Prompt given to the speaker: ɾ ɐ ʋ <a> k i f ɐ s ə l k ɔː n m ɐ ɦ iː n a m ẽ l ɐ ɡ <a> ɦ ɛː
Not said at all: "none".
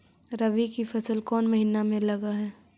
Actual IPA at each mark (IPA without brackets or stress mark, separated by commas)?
i, a